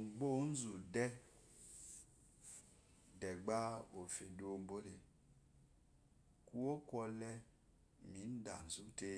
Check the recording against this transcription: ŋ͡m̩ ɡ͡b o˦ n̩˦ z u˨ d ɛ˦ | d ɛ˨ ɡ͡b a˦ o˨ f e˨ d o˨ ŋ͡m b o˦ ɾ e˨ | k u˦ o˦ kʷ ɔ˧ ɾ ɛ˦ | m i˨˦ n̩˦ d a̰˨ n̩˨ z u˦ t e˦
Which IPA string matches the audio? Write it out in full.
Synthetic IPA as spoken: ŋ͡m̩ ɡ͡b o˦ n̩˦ z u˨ d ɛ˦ | d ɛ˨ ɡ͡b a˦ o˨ f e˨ d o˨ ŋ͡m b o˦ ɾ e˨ | k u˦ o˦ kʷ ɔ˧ l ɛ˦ | m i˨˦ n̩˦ d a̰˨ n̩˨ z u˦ t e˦

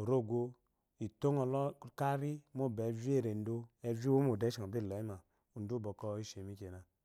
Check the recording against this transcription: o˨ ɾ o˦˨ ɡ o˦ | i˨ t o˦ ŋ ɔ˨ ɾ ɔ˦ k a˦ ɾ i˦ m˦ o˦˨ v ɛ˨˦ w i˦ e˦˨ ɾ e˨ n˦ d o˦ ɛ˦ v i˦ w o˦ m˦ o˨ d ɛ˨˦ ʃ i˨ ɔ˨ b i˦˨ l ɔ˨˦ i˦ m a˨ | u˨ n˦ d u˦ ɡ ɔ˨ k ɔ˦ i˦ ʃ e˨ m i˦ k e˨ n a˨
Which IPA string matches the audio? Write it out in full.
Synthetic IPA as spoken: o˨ ɾ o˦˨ ɡ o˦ | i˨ t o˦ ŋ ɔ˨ l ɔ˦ k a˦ ɾ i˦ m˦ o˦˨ b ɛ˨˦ v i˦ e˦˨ ɾ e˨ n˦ d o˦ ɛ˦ v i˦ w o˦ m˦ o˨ d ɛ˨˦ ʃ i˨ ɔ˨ b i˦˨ l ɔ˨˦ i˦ m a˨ | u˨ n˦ d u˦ b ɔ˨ k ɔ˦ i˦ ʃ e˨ m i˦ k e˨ n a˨

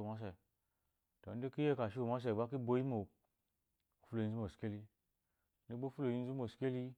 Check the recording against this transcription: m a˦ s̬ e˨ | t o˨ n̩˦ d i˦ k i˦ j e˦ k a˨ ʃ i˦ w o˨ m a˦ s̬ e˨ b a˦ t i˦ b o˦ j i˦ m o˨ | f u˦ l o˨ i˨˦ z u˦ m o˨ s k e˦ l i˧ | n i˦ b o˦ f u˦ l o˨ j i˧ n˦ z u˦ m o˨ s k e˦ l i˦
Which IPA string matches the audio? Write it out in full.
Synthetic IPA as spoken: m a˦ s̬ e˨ | t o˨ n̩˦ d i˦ k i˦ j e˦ k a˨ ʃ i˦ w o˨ m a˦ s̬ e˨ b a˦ k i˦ b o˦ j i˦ m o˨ | f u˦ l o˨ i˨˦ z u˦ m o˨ s k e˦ l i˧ | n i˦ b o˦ f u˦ l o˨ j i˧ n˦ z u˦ m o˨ s k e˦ l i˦

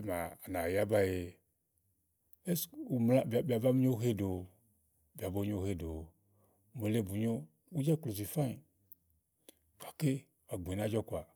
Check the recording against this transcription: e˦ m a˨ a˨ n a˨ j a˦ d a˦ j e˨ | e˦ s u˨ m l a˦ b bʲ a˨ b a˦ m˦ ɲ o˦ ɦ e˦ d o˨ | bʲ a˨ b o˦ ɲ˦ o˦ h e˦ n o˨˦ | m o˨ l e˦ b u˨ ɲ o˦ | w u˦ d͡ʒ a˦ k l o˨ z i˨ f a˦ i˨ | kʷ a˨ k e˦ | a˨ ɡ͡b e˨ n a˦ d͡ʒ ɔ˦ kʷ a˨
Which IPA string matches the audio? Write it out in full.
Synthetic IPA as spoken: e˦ m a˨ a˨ n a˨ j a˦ b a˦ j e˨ | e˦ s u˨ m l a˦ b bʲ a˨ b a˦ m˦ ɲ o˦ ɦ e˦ d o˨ | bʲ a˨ b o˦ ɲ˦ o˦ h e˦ d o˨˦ | m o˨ l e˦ b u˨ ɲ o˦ | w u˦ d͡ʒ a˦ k l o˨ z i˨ f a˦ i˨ | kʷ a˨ k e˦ | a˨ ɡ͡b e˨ n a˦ d͡ʒ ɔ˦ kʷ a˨

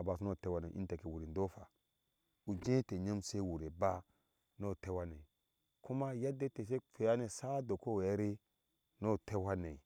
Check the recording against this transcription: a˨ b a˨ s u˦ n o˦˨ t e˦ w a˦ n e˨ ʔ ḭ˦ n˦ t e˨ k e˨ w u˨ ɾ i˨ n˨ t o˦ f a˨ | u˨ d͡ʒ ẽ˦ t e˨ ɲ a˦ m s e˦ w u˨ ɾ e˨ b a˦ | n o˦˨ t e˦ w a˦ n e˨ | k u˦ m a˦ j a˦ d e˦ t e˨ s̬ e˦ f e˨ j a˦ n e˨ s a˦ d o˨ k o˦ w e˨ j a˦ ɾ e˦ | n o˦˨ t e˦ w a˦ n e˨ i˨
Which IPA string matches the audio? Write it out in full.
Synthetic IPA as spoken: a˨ b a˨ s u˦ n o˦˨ t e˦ w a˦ n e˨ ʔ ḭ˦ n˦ t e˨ k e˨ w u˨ ɾ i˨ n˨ d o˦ f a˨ | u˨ d͡ʒ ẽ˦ t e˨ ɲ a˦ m s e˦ w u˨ ɾ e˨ b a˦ | n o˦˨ t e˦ w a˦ n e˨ | k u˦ m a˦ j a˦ d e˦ t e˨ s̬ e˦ f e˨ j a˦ n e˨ s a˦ d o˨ k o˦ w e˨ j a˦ ɾ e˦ | n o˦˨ t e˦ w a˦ n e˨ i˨

